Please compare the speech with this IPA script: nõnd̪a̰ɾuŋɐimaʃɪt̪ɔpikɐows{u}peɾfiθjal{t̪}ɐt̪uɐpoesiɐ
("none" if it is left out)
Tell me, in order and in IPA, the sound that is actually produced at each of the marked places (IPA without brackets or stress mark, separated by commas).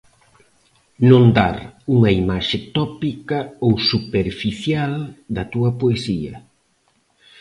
u, d̪